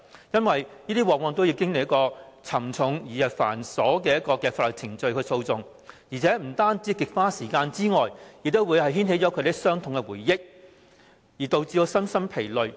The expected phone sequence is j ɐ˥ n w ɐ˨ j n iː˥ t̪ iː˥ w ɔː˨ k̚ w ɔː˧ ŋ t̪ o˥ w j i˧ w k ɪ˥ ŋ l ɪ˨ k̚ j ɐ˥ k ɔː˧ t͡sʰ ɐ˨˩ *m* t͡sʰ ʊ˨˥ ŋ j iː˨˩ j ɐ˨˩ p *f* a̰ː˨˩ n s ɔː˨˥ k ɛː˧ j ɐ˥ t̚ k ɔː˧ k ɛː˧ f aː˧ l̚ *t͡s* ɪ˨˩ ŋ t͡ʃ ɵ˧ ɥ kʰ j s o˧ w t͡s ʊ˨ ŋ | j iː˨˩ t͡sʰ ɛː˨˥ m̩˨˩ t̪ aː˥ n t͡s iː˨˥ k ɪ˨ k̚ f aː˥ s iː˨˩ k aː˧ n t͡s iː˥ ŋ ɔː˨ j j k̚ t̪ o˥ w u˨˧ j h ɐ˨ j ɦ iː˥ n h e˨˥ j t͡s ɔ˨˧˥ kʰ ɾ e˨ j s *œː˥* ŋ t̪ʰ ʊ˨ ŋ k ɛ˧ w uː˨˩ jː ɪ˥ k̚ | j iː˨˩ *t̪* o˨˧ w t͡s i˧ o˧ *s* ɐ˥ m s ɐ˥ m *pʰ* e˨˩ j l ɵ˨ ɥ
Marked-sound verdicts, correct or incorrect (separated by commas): correct, correct, incorrect, correct, correct, correct, correct